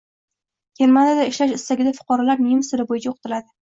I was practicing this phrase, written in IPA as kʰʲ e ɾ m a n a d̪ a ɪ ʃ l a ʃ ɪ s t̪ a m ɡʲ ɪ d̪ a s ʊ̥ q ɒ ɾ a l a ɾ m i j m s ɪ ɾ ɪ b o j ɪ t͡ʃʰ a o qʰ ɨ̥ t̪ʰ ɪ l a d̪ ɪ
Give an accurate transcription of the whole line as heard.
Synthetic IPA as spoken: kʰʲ e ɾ m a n a d̪ a ɪ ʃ l a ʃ ɪ s t̪ a ɡʲ ɪ d̪ a f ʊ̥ q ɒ ɾ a l a ɾ m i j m s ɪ ɾ ɪ b o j ɪ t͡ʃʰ a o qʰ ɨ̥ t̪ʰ ɪ l a d̪ ɪ

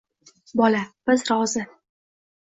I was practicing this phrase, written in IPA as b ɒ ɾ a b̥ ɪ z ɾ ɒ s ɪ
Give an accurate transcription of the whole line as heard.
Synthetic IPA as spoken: b ɒ l a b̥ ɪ z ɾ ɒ z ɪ

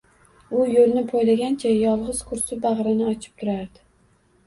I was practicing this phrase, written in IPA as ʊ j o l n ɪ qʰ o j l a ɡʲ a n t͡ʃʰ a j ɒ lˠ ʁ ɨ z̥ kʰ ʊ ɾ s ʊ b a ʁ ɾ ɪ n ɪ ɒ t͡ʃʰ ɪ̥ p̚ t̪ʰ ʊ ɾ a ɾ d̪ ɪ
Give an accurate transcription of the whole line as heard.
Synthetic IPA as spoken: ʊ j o l n ɪ pʰ o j l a ɡʲ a n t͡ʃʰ a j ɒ lˠ ʁ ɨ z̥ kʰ ʊ ɾ s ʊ b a ʁ ɾ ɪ n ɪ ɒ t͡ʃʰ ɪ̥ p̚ t̪ʰ ʊ ɾ a ɾ d̪ ɪ

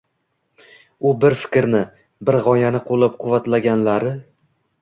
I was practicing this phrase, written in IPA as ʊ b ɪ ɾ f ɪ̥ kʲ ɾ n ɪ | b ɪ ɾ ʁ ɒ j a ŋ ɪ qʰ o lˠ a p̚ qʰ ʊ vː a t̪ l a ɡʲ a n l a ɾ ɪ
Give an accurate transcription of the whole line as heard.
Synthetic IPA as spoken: ʊ b ɪ ɾ f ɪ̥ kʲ ɾ n ɪ | b ɪ ɾ ʁ ɒ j a n ɪ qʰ o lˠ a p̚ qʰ ʊ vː a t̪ l a ɡʲ a n l a ɾ ɪ

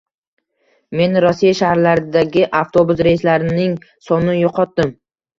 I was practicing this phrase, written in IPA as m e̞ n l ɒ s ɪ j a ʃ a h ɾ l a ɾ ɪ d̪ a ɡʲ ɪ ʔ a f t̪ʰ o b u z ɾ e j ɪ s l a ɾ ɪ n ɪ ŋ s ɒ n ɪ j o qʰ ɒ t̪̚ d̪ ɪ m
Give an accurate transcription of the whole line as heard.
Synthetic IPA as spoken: m e̞ n ɾ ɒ s i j a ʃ a h ɾ l a ɾ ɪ d̪ a ɡʲ ɪ ʔ a f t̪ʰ o b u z ɾ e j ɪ s l a ɾ ɪ n ɪ ŋ s ɒ n ɪ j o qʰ ɒ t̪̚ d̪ ɪ m

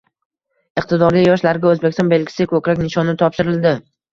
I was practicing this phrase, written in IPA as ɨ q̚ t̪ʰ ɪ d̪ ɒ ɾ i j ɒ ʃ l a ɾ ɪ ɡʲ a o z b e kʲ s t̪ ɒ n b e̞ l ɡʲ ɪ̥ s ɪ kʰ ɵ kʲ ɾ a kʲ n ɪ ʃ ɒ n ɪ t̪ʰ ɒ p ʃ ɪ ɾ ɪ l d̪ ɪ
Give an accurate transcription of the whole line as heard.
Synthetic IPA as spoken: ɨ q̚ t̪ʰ ɪ d̪ ɒ ɾ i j ɒ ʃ l a ɾ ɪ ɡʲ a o z b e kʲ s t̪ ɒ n b e̞ l ɡʲ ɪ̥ s ɪ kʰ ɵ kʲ ɾ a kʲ n ɪ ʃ ɒ n ɪ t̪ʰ ɒ p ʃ ɪ ɾ ɪ l d̪ ɪ

